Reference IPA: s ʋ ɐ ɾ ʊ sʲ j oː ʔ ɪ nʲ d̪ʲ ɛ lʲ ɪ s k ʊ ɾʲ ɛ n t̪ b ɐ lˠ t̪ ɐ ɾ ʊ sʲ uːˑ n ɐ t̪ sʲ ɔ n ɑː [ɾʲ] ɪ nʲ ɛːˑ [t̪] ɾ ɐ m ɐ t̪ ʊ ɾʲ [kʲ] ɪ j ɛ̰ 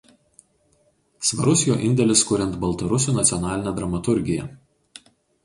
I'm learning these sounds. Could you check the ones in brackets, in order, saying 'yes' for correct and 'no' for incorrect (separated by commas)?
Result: no, no, no